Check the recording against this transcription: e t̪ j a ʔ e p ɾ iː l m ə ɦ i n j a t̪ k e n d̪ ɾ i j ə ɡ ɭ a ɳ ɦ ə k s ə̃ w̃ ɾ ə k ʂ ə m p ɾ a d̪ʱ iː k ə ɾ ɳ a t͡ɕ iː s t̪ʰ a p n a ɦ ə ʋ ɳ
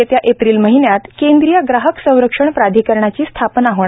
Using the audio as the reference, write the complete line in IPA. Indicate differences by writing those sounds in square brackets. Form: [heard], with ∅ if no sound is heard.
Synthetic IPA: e t̪ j a ʔ e p ɾ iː l m ə ɦ i n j a t̪ k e n d̪ ɾ i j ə ɡ [ɾ] a [∅] ɦ ə k s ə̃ w̃ ɾ ə k ʂ ə [ɳ] p ɾ a d̪ʱ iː k ə ɾ ɳ a t͡ɕ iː s t̪ʰ a p n a ɦ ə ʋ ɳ